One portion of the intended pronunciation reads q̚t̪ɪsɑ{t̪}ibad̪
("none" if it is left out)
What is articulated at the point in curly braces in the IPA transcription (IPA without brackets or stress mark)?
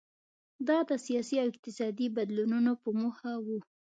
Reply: d̪